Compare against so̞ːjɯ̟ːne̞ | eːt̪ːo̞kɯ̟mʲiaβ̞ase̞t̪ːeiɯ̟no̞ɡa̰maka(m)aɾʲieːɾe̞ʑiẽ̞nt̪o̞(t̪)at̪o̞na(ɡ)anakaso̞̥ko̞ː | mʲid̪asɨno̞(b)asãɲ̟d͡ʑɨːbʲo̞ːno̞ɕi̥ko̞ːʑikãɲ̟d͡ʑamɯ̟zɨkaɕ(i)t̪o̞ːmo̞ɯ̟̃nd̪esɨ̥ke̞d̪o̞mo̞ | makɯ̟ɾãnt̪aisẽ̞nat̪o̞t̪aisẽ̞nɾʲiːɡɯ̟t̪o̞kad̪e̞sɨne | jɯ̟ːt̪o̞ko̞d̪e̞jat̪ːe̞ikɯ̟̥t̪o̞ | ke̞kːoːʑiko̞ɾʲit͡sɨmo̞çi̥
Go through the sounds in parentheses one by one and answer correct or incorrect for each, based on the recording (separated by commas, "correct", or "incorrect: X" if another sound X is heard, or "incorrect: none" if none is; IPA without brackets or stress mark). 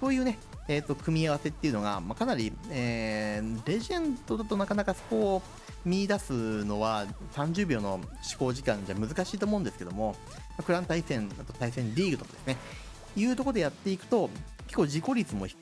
incorrect: n, incorrect: d̪, incorrect: k, incorrect: β, incorrect: iː